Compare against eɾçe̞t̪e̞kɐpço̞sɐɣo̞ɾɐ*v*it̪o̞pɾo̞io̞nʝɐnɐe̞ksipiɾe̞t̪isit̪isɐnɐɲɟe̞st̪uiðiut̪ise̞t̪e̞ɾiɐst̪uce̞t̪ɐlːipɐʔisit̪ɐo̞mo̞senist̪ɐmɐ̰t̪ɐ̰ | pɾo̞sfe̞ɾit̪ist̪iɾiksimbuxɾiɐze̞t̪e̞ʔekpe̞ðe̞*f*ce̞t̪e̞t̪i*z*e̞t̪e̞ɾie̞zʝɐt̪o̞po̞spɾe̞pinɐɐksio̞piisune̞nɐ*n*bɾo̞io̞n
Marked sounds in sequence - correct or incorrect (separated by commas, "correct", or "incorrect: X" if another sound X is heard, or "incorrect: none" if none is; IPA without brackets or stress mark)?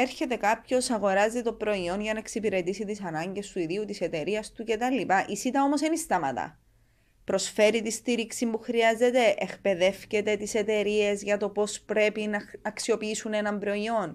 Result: incorrect: z, correct, incorrect: s, incorrect: m